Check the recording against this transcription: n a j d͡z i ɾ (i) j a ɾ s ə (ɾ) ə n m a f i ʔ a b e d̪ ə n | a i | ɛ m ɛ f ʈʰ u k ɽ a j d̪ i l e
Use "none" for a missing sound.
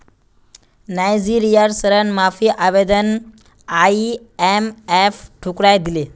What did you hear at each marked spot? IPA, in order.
i, ɾ

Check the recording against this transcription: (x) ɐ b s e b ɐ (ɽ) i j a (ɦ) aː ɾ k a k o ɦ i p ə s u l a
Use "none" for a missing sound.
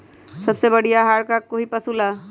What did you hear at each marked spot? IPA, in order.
s, ɽ, ɦ

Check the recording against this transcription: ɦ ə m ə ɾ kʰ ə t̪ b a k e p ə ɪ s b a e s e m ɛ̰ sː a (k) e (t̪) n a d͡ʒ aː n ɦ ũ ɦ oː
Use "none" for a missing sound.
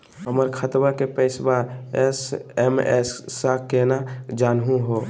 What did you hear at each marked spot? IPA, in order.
k, none

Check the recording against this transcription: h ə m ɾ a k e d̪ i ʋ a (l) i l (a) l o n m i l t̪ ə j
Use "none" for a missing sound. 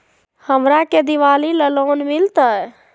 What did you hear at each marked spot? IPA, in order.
l, ə

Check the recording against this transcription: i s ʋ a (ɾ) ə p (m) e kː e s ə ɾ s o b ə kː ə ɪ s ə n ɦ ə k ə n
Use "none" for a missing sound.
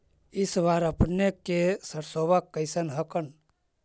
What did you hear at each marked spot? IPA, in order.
ɾ, n

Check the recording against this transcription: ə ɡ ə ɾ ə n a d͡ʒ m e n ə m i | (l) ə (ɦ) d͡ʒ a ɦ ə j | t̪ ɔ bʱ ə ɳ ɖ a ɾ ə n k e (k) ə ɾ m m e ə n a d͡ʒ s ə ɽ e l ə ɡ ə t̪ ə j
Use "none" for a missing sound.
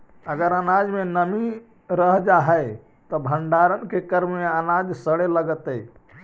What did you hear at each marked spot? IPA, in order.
ɾ, ɦ, k

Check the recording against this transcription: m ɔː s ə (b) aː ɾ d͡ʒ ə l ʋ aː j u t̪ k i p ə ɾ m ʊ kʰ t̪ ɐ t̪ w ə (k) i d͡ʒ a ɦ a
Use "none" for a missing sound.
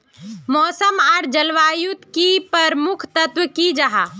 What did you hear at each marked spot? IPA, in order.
m, k

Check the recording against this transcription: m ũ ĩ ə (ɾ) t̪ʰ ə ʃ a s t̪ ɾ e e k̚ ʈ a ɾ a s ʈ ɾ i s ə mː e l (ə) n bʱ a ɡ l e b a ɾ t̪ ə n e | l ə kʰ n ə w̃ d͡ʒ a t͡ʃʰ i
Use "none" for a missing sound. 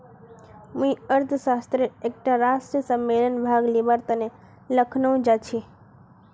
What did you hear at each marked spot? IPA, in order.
ɾ, ə

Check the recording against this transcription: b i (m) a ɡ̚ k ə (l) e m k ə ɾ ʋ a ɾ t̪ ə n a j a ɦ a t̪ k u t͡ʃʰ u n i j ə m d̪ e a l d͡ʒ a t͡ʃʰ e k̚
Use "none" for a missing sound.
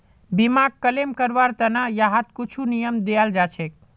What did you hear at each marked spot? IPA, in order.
m, l

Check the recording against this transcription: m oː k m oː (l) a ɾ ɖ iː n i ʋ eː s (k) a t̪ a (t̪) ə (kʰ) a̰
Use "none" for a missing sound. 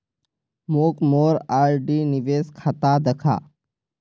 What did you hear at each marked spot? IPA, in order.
ɾ, kʰ, d̪, kʰ

